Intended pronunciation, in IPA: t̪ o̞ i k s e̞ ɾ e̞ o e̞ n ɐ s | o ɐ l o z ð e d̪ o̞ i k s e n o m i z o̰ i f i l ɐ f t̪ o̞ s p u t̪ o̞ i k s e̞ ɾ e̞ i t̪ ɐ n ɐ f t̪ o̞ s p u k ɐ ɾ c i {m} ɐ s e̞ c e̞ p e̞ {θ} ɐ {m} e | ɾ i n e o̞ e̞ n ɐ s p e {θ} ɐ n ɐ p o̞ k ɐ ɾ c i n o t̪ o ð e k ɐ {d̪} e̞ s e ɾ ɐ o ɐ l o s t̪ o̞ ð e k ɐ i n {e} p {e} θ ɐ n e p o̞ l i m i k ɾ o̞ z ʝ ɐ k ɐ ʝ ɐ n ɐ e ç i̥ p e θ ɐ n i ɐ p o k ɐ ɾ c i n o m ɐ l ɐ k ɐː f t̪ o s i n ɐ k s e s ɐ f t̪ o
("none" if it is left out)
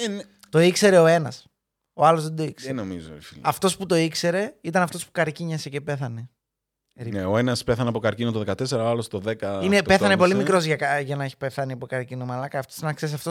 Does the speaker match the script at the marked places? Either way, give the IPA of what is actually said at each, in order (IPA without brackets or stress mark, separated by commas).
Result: ɲ, θ, n, θ, t̪, e, e